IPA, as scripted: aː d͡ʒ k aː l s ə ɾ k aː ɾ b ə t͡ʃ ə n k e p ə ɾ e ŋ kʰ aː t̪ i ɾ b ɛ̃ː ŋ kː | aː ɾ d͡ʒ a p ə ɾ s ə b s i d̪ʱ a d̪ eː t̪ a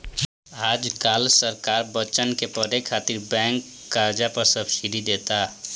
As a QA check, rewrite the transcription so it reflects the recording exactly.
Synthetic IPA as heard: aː d͡ʒ k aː l s ə ɾ k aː ɾ b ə t͡ʃ ə n k e p ə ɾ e kʰ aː t̪ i ɾ b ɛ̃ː ŋ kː | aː ɾ d͡ʒ a p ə ɾ s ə b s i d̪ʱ i d̪ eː t̪ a